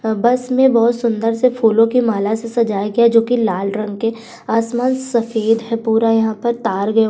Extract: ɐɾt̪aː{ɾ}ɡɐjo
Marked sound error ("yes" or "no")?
no